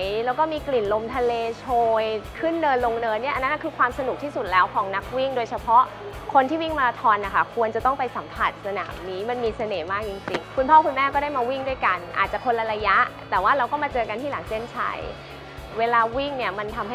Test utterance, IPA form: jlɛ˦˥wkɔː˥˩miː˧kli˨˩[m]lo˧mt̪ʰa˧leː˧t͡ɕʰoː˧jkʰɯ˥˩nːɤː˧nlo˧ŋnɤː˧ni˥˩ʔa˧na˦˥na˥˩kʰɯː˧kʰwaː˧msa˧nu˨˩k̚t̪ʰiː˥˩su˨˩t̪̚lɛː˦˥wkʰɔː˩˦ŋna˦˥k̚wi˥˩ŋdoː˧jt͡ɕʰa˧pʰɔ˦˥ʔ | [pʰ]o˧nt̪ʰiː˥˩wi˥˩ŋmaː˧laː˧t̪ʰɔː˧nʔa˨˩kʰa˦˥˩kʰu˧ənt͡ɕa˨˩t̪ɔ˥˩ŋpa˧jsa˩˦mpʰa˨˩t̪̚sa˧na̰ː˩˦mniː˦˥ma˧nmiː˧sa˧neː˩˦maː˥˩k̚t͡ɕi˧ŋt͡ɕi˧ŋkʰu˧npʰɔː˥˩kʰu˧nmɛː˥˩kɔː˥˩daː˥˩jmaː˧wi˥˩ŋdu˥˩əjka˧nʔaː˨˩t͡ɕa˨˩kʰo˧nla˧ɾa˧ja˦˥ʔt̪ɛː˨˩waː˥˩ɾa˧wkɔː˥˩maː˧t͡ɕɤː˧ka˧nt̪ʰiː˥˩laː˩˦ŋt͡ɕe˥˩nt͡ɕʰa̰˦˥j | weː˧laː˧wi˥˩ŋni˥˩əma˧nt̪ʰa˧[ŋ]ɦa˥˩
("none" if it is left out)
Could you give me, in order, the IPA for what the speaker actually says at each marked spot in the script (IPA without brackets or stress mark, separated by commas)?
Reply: n, kʰ, m